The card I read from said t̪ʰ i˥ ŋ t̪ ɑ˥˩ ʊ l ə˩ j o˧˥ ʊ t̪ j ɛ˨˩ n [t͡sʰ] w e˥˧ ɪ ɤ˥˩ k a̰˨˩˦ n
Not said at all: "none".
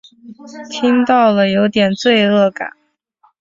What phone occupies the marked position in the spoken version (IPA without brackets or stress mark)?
t͡s